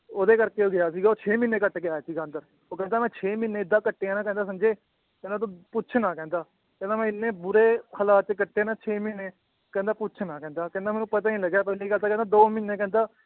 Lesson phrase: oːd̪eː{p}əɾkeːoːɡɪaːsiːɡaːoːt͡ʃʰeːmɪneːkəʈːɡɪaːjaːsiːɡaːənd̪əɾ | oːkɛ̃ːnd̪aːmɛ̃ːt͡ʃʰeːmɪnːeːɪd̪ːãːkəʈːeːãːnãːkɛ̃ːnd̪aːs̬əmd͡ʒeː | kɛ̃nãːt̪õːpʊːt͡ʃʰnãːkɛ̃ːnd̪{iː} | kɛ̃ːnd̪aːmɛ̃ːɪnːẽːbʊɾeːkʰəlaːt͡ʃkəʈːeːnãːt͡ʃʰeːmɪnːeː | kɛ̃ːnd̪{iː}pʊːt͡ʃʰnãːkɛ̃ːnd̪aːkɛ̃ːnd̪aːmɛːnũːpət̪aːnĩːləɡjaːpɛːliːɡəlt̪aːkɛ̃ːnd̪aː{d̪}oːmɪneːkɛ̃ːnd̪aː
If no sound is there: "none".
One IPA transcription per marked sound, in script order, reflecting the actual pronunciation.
k, aː, aː, d̪

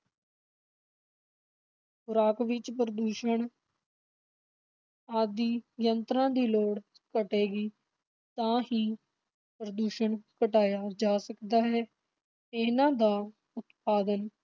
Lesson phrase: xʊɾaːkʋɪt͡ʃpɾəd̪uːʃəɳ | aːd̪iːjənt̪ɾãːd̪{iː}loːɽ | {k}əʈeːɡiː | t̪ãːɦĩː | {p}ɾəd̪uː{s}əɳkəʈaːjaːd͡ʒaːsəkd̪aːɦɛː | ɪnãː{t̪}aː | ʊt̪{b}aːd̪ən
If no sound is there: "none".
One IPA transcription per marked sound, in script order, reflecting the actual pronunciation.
iː, k, p, ʃ, d̪, p

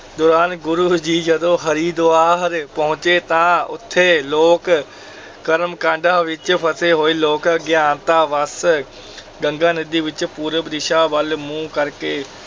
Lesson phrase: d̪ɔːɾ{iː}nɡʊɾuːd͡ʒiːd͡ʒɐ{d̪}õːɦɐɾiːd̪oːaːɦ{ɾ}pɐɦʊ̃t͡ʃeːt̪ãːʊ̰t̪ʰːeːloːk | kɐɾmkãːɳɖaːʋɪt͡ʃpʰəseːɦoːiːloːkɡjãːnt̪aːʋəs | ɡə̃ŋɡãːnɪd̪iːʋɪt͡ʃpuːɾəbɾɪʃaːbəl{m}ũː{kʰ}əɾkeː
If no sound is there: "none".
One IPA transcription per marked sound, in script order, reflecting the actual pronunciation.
aː, d̪, ɾ, m, k

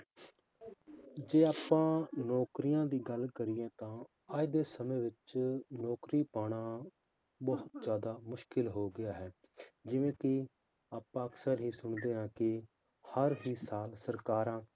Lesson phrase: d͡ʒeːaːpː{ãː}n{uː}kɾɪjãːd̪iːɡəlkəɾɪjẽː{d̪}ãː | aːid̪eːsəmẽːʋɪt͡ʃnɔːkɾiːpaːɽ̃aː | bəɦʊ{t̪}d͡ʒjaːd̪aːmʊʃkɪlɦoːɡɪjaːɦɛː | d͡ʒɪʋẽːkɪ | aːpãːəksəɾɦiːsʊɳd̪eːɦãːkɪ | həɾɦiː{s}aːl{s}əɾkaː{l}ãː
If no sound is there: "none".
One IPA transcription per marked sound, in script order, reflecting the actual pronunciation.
ãː, ɔː, t̪, t̪, s, s, ɾ

